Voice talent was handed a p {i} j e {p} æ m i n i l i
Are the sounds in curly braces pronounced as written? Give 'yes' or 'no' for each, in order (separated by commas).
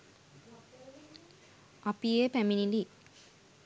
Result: yes, yes